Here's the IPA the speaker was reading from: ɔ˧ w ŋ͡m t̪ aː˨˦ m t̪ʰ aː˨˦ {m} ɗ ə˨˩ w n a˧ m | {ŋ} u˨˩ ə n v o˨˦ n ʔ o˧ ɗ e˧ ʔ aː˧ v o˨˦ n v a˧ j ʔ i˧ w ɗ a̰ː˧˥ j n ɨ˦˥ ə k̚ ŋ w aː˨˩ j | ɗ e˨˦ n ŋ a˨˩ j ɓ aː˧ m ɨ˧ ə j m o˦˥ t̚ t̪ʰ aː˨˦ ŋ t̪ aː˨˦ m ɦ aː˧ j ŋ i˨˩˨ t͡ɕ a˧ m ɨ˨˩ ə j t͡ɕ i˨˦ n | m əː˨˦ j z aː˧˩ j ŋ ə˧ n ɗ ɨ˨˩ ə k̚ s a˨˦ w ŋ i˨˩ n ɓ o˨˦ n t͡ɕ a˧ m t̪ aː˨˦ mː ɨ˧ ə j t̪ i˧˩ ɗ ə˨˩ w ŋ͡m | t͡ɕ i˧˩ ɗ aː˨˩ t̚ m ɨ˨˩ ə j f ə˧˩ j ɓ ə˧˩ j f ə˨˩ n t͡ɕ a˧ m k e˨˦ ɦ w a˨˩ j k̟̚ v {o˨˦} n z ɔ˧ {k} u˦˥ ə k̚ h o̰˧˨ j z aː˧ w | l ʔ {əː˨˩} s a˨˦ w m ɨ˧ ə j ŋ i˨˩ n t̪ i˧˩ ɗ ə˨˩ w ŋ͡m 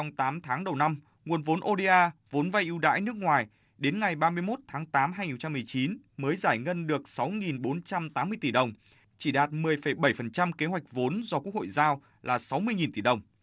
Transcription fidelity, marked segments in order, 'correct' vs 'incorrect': incorrect: ŋ, correct, correct, correct, incorrect: aː˨˩

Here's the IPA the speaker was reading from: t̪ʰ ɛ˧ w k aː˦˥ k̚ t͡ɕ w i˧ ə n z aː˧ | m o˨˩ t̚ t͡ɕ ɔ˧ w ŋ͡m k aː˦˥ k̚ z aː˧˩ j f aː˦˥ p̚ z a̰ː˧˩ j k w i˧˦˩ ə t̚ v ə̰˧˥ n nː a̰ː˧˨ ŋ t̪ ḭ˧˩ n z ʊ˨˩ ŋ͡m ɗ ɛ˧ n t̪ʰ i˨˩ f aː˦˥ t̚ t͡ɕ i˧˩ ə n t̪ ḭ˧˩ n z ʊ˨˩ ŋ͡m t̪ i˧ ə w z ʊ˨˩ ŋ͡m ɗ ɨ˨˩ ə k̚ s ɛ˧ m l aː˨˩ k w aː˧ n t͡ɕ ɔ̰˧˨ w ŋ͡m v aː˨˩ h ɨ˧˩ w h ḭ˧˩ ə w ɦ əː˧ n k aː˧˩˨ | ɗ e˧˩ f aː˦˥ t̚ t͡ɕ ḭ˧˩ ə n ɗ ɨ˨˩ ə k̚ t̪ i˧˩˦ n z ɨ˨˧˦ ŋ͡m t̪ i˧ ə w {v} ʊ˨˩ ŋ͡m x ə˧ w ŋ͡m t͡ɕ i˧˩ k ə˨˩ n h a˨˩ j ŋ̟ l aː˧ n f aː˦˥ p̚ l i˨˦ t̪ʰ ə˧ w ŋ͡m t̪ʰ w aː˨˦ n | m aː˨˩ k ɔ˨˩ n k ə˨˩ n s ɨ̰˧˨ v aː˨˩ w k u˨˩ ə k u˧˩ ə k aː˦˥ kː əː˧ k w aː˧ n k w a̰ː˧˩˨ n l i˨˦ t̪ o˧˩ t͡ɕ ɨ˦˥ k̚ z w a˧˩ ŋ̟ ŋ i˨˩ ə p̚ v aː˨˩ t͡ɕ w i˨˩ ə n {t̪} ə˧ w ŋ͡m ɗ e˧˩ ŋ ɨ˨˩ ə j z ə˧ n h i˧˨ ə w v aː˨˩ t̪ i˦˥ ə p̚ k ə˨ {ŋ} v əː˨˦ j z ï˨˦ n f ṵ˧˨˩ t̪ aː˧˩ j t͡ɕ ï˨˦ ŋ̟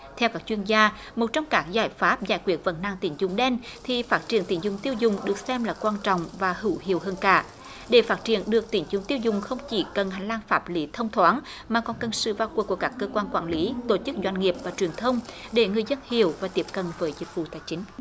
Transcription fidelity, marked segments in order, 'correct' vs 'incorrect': incorrect: z, incorrect: t̪ʰ, incorrect: n

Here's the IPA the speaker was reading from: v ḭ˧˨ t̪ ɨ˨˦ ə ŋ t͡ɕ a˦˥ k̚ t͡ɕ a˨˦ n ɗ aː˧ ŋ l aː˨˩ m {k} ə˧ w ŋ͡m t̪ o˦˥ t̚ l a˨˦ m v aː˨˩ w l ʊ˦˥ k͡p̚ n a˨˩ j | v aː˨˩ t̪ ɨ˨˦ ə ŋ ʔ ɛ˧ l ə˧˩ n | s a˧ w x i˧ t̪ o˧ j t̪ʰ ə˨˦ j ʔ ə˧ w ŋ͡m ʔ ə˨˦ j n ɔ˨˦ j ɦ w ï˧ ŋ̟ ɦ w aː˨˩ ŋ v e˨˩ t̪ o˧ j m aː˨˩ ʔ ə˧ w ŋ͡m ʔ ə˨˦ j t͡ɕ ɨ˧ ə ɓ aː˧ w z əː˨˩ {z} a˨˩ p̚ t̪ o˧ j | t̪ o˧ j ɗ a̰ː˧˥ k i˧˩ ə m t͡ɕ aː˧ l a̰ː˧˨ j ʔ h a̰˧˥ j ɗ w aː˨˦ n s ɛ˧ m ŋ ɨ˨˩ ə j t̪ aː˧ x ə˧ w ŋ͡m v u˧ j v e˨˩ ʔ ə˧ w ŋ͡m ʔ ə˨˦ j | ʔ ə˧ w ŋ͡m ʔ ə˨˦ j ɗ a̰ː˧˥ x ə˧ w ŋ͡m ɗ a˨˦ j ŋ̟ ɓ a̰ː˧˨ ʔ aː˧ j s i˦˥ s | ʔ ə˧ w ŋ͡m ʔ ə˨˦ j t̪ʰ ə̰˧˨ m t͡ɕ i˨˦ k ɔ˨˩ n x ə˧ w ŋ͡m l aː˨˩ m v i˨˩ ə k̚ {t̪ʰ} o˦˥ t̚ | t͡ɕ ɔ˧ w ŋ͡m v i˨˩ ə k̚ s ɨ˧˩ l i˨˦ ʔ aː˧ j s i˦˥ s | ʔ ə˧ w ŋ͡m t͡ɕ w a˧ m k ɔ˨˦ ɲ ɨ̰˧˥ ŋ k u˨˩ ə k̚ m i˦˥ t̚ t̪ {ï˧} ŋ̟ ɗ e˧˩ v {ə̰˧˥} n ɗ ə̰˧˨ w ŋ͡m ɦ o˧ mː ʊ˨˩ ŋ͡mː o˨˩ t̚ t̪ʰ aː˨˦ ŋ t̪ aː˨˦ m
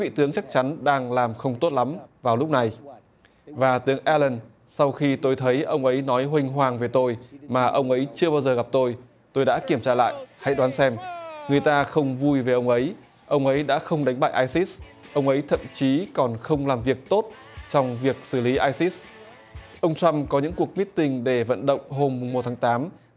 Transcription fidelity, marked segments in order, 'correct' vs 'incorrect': incorrect: x, incorrect: ɣ, incorrect: t̪, correct, incorrect: ə̰˧˨

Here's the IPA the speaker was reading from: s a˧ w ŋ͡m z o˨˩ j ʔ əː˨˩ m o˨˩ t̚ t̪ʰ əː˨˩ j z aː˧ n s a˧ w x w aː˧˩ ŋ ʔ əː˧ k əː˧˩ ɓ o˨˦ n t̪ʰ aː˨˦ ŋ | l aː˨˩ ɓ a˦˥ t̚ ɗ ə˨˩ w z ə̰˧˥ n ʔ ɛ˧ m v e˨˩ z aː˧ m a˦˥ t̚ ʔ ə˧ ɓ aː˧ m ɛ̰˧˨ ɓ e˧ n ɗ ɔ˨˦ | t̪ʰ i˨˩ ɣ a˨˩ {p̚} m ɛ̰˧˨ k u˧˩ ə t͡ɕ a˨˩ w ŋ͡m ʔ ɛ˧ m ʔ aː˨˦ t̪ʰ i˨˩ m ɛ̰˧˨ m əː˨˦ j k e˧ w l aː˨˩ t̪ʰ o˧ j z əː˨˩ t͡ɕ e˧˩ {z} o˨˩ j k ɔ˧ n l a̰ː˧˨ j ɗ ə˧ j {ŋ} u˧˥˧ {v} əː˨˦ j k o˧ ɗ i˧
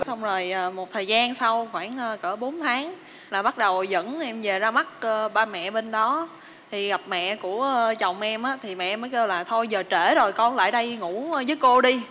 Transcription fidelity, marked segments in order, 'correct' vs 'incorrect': correct, correct, correct, incorrect: z

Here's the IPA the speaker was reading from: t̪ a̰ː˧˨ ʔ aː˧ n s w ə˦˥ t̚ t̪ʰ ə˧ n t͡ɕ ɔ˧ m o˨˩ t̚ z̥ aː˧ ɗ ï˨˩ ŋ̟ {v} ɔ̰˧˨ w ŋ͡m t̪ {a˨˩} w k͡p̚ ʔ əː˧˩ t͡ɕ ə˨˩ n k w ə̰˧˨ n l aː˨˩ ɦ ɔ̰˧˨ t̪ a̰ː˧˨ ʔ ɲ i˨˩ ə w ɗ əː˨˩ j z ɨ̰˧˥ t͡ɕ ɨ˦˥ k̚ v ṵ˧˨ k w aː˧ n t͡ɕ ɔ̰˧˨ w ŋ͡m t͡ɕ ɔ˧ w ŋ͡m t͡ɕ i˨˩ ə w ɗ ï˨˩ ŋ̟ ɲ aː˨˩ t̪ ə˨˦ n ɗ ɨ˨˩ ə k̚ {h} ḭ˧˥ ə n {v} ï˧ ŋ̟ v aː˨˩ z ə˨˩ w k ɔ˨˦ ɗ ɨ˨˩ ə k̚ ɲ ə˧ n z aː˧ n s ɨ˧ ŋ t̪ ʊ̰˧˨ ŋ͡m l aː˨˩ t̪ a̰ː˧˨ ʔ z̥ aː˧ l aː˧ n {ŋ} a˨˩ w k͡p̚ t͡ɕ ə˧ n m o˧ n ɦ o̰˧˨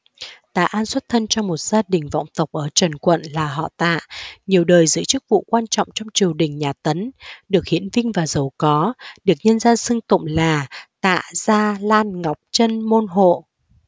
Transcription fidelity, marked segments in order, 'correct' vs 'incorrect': correct, incorrect: ə˨˩, correct, correct, correct

